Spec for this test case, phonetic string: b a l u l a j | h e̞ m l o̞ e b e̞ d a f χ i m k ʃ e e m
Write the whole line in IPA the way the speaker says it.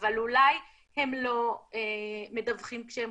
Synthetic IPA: v a l u l a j | h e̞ m l o̞ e m e̞ d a v χ i m k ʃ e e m